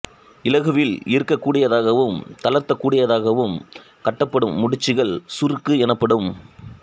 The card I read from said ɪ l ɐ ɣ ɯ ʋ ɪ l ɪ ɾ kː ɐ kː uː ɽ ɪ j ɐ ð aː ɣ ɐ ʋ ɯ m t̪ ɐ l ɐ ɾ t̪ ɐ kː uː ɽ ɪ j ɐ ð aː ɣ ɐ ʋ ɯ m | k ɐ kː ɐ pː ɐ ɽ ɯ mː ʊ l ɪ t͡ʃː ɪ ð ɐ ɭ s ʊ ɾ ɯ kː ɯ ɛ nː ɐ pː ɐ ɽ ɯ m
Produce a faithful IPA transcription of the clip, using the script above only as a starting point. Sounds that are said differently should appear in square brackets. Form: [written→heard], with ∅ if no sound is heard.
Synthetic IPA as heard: ɪ l ɐ ɣ ɯ ʋ ɪ l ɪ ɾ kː ɐ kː uː ɽ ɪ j ɐ ð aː ɣ ɐ ʋ ɯ m t̪ ɐ l ɐ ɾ t̪ ɐ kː uː ɽ ɪ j ɐ ð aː ɣ ɐ ʋ ɯ m | k ɐ [kː→ʈː] ɐ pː ɐ ɽ ɯ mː ʊ [l→ɽ] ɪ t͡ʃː ɪ [ð→ɣ] ɐ ɭ s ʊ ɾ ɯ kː ɯ ɛ [nː→n] ɐ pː ɐ ɽ ɯ m